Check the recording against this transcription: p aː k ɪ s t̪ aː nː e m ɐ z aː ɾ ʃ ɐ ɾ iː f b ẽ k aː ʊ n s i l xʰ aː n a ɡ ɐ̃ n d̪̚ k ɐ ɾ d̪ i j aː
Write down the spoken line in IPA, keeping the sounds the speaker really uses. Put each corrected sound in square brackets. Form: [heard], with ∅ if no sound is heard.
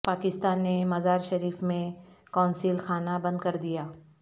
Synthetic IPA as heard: p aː k ɪ s t̪ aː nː e m ɐ z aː ɾ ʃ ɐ ɾ iː f [m] ẽ k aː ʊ n s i l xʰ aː n a [b] ɐ̃ n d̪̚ k ɐ ɾ d̪ i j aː